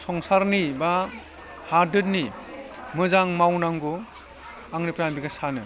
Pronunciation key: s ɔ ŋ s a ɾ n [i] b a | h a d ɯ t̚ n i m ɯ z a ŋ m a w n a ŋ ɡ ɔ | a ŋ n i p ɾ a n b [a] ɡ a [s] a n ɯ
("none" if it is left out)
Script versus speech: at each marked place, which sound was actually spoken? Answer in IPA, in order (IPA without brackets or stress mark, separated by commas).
i, i, s